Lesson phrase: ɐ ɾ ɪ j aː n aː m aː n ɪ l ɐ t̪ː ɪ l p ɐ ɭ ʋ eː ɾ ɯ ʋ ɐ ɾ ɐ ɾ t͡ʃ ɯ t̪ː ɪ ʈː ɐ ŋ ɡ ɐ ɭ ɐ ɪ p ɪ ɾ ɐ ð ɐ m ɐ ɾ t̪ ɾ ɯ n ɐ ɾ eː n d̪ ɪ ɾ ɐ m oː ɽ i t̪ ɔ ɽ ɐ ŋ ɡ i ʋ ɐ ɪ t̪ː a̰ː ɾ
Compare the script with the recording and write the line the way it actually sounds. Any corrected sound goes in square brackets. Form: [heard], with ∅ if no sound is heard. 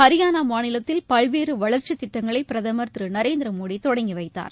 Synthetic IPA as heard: ɐ ɾ ɪ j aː n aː m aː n ɪ l ɐ t̪ː ɪ l p ɐ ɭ ʋ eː ɾ ɯ ʋ ɐ [ɭ] ɐ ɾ t͡ʃ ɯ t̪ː ɪ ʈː ɐ ŋ ɡ ɐ ɭ ɐ ɪ p ɪ ɾ ɐ ð ɐ m ɐ ɾ t̪ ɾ ɯ n ɐ ɾ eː n d̪ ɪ ɾ ɐ m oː ɽ i t̪ ɔ ɽ ɐ ŋ ɡ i ʋ ɐ ɪ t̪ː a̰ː ɾ